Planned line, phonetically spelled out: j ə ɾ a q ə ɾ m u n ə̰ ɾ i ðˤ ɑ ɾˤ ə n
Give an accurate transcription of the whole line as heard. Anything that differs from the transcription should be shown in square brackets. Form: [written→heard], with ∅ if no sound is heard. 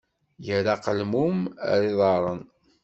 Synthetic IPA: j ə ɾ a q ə [ɾ→l] m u [n→m] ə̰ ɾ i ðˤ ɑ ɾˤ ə n